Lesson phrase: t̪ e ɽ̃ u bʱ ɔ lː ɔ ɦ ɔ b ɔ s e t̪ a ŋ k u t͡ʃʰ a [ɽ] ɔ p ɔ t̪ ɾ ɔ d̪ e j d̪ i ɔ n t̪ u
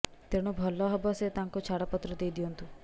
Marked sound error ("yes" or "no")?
no